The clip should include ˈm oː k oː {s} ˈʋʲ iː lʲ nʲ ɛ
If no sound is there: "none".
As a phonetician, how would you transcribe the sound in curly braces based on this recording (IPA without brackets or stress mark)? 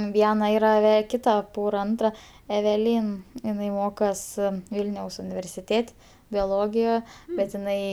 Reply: s